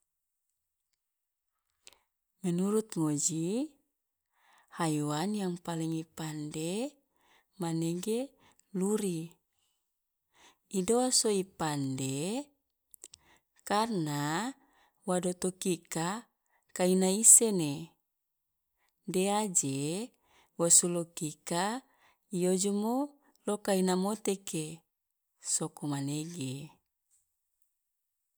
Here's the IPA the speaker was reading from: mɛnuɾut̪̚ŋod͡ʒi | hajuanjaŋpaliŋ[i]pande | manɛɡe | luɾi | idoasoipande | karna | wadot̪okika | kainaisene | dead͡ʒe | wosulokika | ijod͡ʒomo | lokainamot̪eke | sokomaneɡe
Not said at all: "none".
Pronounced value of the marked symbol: i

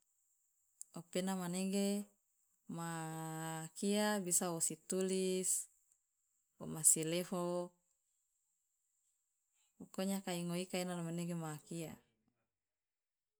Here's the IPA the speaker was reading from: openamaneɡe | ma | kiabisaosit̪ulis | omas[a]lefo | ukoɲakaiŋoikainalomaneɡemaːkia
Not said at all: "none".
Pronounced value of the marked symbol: i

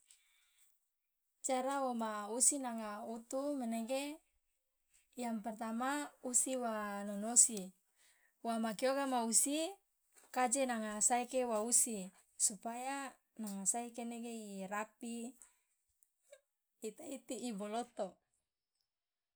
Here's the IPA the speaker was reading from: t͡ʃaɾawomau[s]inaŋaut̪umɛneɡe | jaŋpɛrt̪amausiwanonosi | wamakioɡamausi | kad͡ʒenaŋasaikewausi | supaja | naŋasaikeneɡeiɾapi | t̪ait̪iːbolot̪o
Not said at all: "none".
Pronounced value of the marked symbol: s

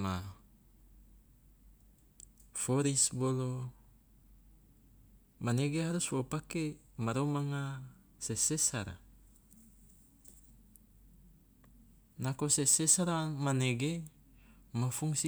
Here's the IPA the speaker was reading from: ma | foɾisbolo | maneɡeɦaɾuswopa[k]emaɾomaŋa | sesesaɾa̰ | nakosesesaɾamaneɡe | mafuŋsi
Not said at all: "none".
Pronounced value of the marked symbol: k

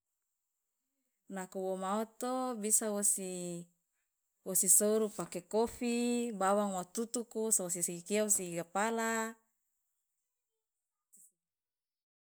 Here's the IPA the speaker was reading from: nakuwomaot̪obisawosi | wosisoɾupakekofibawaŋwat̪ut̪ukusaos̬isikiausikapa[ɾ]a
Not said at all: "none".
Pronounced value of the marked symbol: l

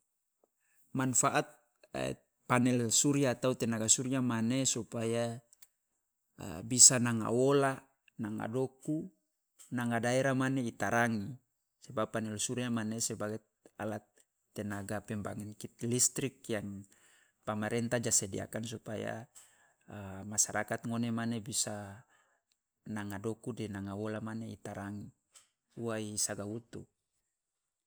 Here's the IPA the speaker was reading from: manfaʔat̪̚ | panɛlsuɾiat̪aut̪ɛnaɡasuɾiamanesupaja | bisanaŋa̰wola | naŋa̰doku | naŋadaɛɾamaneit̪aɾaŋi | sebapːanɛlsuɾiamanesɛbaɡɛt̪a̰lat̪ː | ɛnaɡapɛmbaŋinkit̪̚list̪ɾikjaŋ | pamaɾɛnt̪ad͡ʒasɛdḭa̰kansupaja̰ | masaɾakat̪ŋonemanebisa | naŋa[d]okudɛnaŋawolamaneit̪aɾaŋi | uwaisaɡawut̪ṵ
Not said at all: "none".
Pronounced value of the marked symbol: d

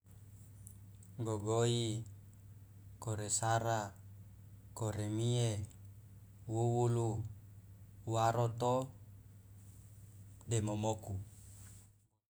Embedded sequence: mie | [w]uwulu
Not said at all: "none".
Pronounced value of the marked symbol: w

